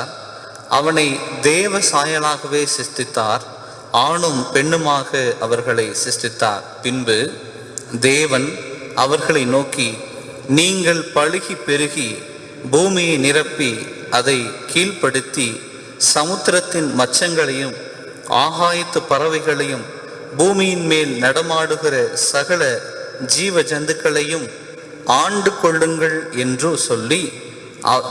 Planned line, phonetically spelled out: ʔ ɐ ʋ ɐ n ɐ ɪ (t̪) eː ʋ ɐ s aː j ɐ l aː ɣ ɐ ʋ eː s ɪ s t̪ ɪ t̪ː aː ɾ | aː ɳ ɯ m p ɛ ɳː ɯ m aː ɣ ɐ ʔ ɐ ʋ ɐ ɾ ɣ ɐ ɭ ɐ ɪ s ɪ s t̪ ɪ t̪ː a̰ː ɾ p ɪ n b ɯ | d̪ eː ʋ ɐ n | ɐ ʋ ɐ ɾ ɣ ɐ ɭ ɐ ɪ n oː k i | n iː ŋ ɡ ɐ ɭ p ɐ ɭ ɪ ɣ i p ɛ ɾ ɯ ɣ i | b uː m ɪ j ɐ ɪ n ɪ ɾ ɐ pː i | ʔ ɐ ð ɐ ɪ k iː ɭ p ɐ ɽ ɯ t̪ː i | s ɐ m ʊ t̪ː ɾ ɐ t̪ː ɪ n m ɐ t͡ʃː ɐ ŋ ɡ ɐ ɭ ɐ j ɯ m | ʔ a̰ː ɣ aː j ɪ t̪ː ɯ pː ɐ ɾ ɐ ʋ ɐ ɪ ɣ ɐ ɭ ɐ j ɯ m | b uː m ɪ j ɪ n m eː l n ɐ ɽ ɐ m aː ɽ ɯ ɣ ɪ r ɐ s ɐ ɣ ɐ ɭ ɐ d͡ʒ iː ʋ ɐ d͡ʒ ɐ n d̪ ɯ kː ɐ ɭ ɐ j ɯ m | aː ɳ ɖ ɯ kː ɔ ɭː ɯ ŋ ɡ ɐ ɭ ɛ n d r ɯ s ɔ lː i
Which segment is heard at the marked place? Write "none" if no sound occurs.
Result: d̪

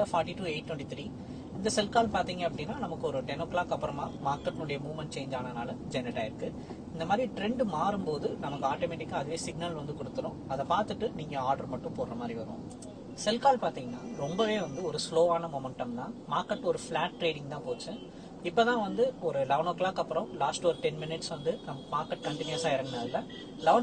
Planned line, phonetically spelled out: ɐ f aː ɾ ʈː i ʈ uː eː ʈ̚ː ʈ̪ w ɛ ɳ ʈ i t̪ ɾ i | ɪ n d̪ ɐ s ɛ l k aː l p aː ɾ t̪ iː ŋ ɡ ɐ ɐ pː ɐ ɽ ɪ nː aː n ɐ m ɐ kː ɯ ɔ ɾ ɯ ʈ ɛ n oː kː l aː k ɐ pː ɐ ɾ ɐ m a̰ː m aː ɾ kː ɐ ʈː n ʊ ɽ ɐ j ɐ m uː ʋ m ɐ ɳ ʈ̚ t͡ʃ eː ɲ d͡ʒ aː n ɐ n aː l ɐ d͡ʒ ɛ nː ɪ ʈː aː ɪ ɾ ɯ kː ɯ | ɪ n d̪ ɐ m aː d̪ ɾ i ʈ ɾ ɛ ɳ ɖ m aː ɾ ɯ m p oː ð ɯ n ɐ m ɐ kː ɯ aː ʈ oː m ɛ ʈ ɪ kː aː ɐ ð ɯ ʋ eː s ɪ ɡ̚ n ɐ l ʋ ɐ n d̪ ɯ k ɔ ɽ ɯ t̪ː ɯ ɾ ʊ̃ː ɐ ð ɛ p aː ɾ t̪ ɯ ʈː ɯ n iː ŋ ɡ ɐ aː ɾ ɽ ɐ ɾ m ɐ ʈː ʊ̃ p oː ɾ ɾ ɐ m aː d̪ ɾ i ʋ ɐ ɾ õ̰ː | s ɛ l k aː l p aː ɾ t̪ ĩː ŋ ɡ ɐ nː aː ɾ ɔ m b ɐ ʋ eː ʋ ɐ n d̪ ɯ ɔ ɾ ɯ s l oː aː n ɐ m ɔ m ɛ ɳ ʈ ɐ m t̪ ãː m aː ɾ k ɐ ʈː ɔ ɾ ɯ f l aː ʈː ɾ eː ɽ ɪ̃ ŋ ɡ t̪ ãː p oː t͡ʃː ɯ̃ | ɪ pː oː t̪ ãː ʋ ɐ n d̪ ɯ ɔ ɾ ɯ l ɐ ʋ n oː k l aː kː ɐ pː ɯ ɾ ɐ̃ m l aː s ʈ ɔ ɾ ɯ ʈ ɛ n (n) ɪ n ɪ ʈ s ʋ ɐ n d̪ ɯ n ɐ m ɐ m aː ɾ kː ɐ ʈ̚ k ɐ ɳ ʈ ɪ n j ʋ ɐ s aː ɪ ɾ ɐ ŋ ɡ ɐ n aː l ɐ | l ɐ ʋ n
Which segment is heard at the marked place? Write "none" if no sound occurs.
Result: m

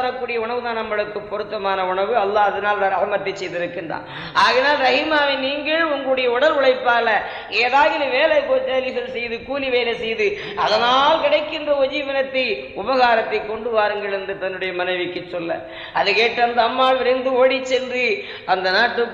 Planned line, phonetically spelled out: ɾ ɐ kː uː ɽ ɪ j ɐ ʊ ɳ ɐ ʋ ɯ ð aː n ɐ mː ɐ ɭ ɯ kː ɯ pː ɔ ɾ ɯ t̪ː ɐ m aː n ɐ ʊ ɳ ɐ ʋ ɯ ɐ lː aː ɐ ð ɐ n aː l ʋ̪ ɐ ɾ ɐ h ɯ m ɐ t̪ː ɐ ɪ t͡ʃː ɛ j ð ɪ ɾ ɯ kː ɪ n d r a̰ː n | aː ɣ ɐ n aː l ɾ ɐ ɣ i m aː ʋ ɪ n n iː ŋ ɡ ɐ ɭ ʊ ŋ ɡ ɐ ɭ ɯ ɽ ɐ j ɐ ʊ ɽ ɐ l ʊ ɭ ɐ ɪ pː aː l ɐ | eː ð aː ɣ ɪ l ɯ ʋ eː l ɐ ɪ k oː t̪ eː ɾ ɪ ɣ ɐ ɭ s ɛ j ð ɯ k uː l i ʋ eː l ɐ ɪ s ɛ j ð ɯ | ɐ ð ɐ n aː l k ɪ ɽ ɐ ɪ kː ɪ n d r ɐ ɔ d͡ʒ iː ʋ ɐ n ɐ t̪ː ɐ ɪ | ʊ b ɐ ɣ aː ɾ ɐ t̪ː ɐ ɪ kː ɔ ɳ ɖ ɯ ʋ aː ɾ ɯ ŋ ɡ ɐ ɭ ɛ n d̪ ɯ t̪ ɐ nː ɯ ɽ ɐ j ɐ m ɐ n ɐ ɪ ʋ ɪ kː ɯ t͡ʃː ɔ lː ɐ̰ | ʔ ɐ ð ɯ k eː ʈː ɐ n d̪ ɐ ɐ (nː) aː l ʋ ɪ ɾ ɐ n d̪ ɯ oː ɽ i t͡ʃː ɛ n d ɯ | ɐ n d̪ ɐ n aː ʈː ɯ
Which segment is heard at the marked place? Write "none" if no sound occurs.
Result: mː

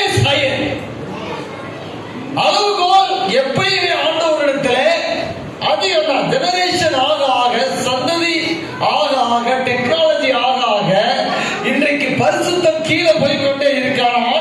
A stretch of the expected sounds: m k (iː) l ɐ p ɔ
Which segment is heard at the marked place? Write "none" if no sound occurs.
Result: iː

